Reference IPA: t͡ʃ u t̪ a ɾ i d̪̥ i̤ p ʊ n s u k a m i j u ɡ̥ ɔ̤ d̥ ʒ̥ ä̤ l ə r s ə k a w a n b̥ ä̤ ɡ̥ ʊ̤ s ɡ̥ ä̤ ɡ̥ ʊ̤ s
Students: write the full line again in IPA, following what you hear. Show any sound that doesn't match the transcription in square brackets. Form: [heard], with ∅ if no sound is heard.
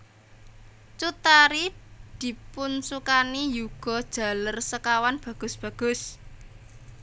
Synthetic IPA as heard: t͡ʃ u t̪ a ɾ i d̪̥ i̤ p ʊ n s u k a [n] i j u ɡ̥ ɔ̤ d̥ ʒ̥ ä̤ l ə r s ə k a w a n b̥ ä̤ ɡ̥ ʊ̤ s [b̥] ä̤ ɡ̥ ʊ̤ s